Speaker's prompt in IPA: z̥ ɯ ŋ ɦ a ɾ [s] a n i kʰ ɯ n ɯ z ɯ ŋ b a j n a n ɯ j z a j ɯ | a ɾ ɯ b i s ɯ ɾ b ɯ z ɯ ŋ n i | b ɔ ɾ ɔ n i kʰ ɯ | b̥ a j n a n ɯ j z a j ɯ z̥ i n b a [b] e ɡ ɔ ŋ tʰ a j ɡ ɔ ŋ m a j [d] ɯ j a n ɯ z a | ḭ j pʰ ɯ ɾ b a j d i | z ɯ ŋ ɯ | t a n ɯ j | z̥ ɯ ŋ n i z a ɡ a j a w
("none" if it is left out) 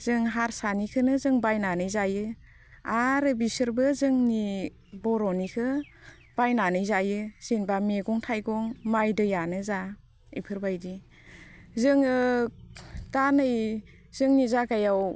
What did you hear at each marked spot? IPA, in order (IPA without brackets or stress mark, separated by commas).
s, m, d